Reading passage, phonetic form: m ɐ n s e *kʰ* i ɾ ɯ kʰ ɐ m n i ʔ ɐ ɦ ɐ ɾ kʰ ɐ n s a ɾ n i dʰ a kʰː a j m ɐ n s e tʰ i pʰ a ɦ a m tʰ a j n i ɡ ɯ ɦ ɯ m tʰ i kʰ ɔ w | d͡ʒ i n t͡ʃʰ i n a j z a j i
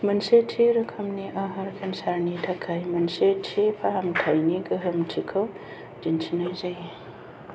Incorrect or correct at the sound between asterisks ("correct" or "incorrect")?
incorrect